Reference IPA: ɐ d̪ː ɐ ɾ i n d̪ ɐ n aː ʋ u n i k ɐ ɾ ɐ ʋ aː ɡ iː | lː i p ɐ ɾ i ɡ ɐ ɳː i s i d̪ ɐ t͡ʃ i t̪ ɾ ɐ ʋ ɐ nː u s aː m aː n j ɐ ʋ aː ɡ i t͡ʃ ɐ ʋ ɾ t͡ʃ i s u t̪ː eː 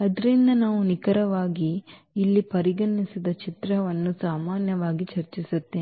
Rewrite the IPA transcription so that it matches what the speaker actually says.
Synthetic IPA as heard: ɐ d̪ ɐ ɾ i n d̪ ɐ n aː ʋ u n i k ɐ ɾ ɐ ʋ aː ɡ iː | lː i p ɐ ɾ i ɡ ɐ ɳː i s i d̪ ɐ t͡ʃ i t̪ ɾ ɐ ʋ ɐ nː u s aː m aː n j ɐ ʋ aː ɡ i t͡ʃ ɐ ɾ t͡ʃ i s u t̪ː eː